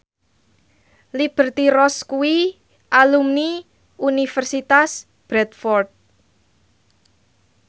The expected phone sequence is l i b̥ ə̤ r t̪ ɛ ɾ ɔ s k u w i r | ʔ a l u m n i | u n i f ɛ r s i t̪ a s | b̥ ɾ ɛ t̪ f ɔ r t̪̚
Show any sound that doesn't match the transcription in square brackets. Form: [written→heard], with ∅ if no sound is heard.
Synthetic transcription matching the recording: l i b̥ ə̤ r t̪ [ɛ→i] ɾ ɔ s k u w i [r→∅] | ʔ a l u m n i | u n i f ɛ r s i t̪ a s | b̥ ɾ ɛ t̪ f ɔ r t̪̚